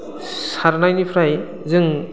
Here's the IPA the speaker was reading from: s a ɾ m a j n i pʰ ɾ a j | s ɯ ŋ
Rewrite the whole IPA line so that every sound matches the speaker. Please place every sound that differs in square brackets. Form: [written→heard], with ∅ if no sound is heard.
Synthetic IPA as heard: s a ɾ [m→n] a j n i pʰ ɾ a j | [s→z] ɯ ŋ